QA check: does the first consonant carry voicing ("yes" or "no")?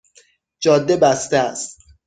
yes